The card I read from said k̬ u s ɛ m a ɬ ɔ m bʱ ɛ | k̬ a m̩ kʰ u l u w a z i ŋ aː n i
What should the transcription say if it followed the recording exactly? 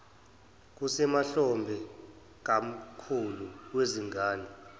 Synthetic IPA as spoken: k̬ u s ɛ m a ɬ ɔ m bʱ ɛ | k̬ a m̩ kʰ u l u w e z i ŋ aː n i